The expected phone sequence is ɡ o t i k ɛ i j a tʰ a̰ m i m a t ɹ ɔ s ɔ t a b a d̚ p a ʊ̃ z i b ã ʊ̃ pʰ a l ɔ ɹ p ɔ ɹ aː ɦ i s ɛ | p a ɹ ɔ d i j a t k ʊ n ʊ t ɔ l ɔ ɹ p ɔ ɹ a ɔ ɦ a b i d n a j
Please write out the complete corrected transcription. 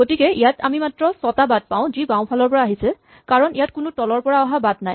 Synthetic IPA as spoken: ɡ o t i k ɛ i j a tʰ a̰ m i m a t ɹ ɔ s ɔ t a b a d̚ p a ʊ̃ z i b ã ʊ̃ pʰ a l ɔ ɹ p ɔ ɹ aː ɦ i s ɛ | k a ɹ ɔ n i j a t k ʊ n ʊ t ɔ l ɔ ɹ p ɔ ɹ a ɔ ɦ a b a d n a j